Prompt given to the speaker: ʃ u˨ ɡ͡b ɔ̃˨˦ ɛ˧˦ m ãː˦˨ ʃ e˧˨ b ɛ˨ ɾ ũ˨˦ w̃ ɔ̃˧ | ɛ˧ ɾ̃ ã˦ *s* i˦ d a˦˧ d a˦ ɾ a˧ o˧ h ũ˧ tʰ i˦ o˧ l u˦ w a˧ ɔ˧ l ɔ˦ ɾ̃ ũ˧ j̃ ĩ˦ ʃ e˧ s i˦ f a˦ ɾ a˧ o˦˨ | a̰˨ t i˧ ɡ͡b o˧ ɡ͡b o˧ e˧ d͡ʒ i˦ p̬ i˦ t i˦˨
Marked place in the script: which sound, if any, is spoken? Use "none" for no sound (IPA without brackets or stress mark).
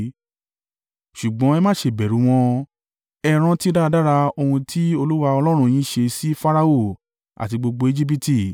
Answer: t